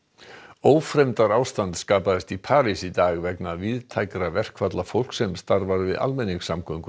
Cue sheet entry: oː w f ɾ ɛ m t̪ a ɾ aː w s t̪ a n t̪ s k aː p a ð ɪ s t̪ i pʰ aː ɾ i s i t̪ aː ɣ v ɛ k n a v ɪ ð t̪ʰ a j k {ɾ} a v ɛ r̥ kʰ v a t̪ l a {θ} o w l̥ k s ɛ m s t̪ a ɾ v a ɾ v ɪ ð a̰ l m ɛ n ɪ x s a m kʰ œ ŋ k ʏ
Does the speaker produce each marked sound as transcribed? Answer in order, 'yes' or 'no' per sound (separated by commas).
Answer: yes, no